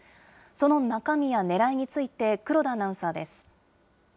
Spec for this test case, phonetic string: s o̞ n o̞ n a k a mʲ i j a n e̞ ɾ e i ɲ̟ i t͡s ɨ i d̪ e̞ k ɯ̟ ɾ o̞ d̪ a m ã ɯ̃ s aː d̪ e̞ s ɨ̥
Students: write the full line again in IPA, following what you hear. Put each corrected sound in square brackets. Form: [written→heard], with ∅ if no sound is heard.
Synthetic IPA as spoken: s o̞ n o̞ n a k a mʲ i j a n e̞ ɾ [e→a] i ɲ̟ i t͡s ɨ i [d̪→t̪] e̞ k ɯ̟ ɾ o̞ d̪ a [m→n] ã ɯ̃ s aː d̪ e̞ s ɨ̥